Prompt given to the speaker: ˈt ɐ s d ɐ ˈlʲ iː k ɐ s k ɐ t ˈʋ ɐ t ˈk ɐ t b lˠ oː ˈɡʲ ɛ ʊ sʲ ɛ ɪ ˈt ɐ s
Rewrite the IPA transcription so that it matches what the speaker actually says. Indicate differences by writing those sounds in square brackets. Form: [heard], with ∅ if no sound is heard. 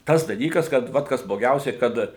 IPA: ˈt ɐ s d ɐ ˈlʲ iː k ɐ s k ɐ t ˈʋ ɐ t ˈk ɐ [s] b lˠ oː ˈɡʲ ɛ ʊ sʲ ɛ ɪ [ˈk] ɐ [t]